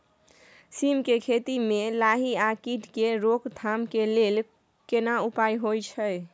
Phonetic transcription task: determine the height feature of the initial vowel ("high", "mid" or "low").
high